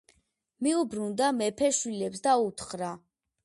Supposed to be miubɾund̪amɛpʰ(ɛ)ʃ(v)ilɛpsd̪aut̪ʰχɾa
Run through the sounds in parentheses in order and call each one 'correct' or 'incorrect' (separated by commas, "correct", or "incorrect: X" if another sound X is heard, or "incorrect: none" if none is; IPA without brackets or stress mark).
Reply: correct, incorrect: w